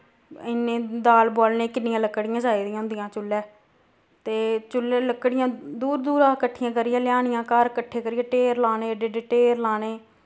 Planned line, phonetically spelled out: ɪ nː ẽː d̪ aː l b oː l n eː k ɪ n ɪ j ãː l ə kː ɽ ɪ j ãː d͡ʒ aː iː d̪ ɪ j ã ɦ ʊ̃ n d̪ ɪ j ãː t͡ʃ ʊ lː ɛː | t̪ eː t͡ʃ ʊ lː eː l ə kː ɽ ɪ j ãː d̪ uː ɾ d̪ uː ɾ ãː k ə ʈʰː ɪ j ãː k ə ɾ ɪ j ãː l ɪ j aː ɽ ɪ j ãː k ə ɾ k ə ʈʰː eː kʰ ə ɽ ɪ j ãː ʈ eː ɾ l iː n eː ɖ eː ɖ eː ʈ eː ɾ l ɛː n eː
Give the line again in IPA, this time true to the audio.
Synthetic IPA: ɪ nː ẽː d̪ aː l b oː l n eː k ɪ n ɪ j ãː l ə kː ɽ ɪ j ãː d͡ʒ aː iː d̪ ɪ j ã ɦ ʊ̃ n d̪ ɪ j ãː t͡ʃ ʊ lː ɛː | t̪ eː t͡ʃ ʊ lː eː l ə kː ɽ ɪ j ãː d̪ uː ɾ d̪ uː ɾ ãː k ə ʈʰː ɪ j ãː k ə ɾ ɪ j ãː l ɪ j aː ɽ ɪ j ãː k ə ɾ k ə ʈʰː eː k ə ɾ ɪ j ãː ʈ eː ɾ l aː n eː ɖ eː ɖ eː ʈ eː ɾ l aː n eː